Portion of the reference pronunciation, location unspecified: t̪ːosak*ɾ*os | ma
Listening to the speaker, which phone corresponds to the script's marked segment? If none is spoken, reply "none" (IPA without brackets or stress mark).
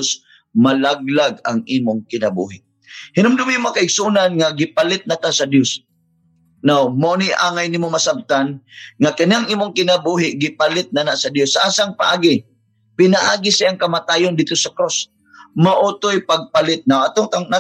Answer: ɾ